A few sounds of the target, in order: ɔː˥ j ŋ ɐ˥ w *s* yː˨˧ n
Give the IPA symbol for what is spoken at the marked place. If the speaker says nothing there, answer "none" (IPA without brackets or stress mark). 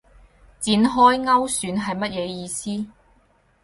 s